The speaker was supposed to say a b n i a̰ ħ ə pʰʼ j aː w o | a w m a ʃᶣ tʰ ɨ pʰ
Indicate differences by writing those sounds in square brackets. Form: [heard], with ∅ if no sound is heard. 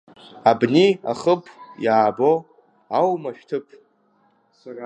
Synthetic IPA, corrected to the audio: a b n i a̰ [χ] ə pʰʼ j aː [b] o | a w m a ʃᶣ tʰ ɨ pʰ